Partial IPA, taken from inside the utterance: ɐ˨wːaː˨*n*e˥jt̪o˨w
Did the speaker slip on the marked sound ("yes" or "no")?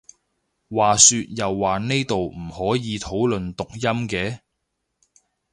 no